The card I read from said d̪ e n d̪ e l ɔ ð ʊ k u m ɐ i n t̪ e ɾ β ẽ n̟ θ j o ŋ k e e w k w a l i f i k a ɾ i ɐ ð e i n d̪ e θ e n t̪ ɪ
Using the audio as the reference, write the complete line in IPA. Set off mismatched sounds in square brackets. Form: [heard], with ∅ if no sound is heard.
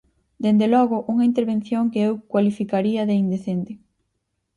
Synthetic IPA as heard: d̪ e n d̪ e l ɔ [ɣ] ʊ [ʔ] u [ŋ] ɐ i n t̪ e ɾ β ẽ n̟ θ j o ŋ k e e w k w a l i f i k a ɾ i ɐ ð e i n d̪ e θ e n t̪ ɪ